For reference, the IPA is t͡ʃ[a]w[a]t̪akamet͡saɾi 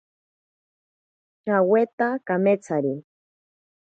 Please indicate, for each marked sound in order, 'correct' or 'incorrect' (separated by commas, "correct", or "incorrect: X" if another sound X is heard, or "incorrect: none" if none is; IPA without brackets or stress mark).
correct, incorrect: e